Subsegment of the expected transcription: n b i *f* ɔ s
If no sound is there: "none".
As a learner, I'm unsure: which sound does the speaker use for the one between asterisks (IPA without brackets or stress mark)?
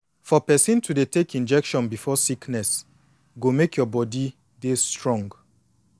f